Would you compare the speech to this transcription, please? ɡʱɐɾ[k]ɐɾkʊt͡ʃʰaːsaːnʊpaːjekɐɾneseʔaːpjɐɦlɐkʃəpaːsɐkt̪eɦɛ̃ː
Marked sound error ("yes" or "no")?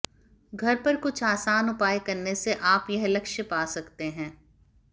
yes